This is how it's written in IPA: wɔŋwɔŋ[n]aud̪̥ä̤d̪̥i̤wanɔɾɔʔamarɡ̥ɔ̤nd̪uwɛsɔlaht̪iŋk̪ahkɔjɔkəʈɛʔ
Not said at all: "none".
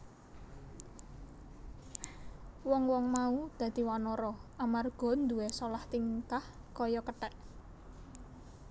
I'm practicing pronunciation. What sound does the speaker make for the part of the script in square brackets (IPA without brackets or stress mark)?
m